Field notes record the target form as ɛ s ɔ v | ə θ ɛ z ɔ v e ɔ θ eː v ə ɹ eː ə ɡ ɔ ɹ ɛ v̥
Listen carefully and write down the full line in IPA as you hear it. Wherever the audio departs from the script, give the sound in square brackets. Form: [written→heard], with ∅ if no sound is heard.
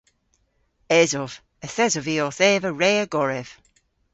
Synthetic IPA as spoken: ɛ [s→z] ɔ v | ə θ ɛ z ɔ v [e→i] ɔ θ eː v ə ɹ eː ə ɡ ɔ ɹ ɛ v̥